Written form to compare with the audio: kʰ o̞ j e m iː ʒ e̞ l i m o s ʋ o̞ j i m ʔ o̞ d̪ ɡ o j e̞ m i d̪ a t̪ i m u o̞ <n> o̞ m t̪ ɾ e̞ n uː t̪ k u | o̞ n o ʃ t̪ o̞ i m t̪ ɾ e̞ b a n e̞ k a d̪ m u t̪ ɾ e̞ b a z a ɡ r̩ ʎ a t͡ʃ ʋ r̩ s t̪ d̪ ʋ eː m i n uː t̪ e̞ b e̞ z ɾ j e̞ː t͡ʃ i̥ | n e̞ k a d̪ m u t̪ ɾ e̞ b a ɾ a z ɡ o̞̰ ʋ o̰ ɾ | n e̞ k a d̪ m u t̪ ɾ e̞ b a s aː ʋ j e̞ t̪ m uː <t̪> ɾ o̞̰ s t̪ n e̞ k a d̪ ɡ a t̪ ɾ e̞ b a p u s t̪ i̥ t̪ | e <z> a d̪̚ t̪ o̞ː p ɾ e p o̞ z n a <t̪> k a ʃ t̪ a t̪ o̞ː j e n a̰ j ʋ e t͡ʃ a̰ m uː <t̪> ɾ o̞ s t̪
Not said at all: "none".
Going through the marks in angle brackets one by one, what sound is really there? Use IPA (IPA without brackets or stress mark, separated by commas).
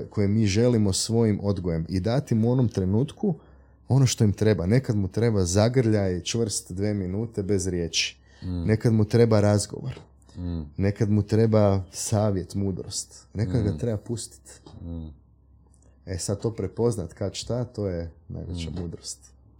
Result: n, d̪, s, t̪, d̪